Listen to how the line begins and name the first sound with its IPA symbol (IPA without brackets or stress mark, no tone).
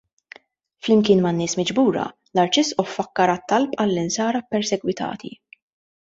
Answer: f